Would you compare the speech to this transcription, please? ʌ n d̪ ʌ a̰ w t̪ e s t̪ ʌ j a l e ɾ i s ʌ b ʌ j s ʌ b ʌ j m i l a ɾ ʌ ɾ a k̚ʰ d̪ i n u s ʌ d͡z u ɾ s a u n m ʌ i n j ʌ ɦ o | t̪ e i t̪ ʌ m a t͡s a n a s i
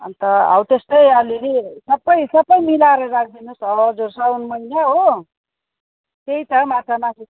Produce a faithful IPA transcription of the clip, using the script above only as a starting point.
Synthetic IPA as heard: ʌ n t̪ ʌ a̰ w t̪ e s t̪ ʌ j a l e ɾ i s ʌ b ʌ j s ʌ b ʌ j m i l a ɾ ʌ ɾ a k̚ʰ d̪ i n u s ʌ d͡z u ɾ s a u n m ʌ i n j a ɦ o | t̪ e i t̪ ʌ m a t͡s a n a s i

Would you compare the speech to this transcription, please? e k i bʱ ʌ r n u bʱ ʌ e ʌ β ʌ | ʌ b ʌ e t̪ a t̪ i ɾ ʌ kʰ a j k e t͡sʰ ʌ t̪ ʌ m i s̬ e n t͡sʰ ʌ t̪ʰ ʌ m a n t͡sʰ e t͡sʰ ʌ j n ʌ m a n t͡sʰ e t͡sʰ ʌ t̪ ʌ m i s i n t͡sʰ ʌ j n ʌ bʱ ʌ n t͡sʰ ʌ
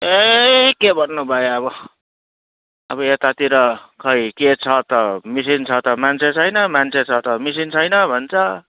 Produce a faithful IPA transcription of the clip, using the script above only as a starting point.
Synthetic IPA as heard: e k e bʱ ʌ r n u bʱ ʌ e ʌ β ʌ | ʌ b ʌ e t̪ a t̪ i ɾ ʌ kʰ ʌ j k e t͡sʰ ʌ t̪ ʌ m i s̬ i n t͡sʰ ʌ t̪ ʌ m a n t͡sʰ e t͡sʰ ʌ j n ʌ m a n t͡sʰ e t͡sʰ ʌ t̪ ʌ m i s i n t͡sʰ ʌ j n ʌ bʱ ʌ n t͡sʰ ʌ

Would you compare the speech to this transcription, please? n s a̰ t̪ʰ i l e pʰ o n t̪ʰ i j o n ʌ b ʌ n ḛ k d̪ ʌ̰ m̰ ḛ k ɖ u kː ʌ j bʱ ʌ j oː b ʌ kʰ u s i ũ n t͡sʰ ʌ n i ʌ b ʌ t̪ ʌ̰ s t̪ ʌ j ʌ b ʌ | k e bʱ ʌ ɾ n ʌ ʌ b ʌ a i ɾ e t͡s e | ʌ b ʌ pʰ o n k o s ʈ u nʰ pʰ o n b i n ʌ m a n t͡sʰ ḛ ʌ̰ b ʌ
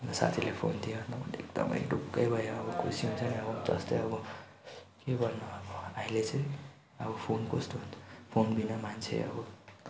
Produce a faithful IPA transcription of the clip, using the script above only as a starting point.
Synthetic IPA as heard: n s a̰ t̪ʰ i l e pʰ o n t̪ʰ i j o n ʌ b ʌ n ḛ k d̪ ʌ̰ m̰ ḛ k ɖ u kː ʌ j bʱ ʌ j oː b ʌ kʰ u s i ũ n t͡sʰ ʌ n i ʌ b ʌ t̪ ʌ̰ s t̪ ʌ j ʌ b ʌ | k e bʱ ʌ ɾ n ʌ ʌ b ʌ a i l e t͡s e | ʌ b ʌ pʰ o n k o s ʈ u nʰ pʰ o n b i n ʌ m a n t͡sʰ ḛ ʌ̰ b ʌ

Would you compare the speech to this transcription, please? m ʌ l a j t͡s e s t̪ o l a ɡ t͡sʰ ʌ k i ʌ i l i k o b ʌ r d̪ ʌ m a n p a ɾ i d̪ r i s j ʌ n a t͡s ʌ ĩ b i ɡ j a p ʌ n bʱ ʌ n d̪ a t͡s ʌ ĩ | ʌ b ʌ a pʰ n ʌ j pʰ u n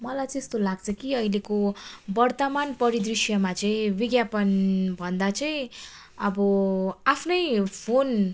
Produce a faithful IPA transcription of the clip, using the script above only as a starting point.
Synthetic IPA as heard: m ʌ l a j t͡s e s t̪ o l a ɡ t͡sʰ ʌ k i ʌ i l e k o b ʌ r t̪ ʌ m a n p ʌ ɾ i d̪ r i s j ʌ m a t͡s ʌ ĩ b i ɡ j a p ʌ n bʱ ʌ n d̪ a t͡s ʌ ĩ | ʌ b ʌ a pʰ n ʌ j pʰ o n

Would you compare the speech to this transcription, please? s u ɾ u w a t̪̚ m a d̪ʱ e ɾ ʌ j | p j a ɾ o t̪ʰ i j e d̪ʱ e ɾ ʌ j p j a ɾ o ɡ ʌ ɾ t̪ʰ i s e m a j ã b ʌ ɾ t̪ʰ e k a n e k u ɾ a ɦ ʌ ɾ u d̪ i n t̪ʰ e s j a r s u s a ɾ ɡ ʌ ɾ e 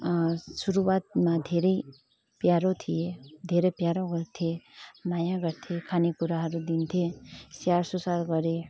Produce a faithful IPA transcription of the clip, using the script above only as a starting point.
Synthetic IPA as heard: s u ɾ u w a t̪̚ m a d̪ʱ e ɾ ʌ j | p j a ɾ o t̪ʰ i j e d̪ʱ e ɾ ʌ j p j a ɾ o ɡ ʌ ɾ t̪ʰ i e m a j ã ɡ ʌ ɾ t̪ʰ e kʰ a n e k u ɾ a ɦ ʌ ɾ u d̪ i n t̪ʰ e s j a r s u s a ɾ ɡ ʌ ɾ e

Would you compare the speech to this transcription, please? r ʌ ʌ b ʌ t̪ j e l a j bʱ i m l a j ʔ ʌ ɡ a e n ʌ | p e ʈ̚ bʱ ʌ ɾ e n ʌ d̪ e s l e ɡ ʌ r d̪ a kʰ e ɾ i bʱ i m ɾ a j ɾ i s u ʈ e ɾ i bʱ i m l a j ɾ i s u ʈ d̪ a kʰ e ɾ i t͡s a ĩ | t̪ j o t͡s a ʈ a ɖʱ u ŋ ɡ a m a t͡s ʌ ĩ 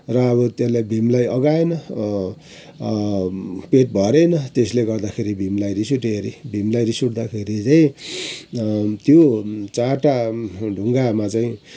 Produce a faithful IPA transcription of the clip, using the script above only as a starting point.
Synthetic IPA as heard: r ʌ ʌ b ʌ t̪ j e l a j bʱ i m l a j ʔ ʌ ɡ a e n ʌ | p e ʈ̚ bʱ ʌ ɾ e n ʌ t̪ e s l e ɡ ʌ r d̪ a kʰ e ɾ i bʱ i m l a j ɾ i s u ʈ e ɾ i bʱ i m l a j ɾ i s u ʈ d̪ a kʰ e ɾ i t͡s a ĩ | t̪ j o t͡s a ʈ a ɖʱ u ŋ ɡ a m a t͡s a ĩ

